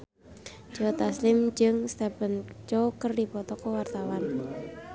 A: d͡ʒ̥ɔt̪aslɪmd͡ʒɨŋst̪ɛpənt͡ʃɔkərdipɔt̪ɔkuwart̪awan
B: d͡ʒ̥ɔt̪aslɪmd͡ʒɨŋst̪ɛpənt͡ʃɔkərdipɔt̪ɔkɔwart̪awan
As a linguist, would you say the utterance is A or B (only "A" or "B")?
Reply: B